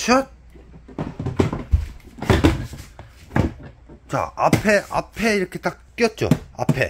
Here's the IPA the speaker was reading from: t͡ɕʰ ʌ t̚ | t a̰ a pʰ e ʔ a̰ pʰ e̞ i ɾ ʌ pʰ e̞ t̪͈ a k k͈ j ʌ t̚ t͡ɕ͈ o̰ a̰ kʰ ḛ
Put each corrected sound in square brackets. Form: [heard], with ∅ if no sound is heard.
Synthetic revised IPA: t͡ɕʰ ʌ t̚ | [t͡ɕ] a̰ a pʰ e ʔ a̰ pʰ e̞ i ɾ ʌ [kʰ] e̞ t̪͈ a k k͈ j ʌ t̚ t͡ɕ͈ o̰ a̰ [pʰ] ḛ